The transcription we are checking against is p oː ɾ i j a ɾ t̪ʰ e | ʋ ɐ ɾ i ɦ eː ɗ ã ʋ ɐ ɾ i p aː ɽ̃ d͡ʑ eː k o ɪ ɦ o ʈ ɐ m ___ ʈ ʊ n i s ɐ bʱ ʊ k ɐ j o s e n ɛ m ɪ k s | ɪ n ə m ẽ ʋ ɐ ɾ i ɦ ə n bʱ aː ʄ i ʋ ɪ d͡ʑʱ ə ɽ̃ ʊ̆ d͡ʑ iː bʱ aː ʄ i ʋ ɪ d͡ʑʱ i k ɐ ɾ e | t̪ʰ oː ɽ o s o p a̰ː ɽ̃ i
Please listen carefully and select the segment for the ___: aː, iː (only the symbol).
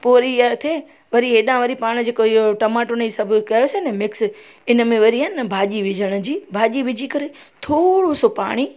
aː